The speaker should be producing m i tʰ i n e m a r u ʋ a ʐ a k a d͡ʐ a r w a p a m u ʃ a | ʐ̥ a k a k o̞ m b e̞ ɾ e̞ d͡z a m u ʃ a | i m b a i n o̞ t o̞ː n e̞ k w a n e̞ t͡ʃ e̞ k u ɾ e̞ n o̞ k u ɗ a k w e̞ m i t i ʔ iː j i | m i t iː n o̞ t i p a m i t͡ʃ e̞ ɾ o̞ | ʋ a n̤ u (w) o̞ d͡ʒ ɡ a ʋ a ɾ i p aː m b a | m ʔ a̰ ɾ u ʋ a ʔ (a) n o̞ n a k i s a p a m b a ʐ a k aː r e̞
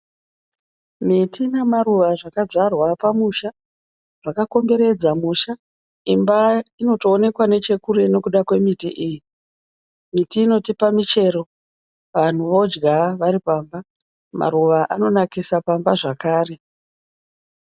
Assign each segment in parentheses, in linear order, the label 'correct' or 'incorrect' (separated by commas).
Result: incorrect, correct